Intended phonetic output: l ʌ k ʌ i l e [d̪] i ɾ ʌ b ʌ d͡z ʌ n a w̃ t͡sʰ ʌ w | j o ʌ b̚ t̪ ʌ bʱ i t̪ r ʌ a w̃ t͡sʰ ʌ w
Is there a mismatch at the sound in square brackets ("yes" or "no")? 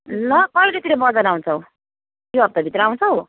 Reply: yes